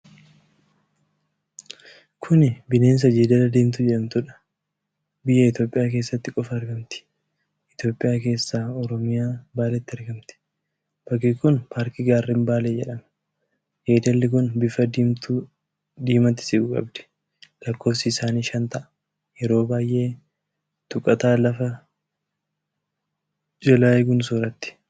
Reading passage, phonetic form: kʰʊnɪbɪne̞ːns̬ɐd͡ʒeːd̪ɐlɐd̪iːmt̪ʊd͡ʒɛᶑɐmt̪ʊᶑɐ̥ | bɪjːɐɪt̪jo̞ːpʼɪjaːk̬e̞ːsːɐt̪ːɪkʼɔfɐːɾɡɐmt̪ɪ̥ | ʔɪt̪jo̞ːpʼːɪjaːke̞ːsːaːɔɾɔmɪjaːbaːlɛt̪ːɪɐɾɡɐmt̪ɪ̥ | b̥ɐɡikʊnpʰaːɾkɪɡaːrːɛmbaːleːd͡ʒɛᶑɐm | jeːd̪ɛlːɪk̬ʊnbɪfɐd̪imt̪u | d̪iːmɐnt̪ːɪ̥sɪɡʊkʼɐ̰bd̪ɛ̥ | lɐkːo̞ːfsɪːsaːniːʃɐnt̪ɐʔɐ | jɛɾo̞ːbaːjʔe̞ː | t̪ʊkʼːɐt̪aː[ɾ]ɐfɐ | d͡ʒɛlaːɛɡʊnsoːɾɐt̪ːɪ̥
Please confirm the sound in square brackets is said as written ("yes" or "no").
no